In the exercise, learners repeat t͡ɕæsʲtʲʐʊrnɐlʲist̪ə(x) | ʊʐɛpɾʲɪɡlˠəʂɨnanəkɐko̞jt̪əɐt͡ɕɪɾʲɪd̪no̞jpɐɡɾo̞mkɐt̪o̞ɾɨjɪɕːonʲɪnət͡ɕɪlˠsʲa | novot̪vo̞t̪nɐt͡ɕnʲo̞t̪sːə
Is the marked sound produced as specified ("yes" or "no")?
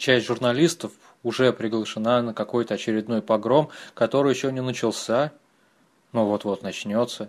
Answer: no